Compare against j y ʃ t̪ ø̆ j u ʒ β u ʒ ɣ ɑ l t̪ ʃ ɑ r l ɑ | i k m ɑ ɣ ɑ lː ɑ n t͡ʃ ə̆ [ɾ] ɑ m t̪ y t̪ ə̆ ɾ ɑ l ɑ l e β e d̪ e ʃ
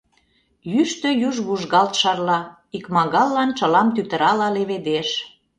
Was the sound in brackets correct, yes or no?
no